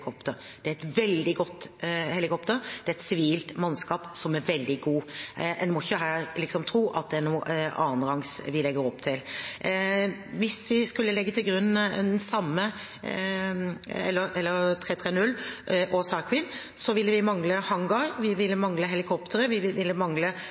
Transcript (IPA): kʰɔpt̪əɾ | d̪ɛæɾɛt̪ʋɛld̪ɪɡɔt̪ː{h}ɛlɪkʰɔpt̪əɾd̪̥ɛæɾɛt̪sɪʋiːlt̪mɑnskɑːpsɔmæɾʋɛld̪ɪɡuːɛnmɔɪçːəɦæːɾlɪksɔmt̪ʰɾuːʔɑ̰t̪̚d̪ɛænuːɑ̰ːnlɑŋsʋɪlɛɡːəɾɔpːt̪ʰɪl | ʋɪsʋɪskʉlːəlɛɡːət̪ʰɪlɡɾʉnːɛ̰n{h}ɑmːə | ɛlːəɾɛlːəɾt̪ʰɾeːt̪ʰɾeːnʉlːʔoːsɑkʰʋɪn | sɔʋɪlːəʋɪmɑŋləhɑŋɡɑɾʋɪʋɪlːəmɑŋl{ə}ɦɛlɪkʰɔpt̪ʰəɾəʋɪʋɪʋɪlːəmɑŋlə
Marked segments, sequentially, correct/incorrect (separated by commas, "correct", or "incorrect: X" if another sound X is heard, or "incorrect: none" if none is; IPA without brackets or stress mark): correct, incorrect: s, correct